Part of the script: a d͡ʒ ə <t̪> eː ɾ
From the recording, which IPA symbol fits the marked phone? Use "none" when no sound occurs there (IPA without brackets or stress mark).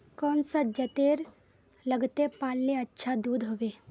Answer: t̪